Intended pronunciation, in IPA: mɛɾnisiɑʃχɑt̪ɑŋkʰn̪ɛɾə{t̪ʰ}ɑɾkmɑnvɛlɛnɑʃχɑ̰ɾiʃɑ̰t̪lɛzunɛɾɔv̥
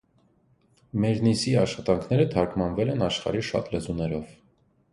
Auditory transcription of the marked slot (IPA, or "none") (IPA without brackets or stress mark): t̪ʰ